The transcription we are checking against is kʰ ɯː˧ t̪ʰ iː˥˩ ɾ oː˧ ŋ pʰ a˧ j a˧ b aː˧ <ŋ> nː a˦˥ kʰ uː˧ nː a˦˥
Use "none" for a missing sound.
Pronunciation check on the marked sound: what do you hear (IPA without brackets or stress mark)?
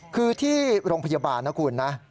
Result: none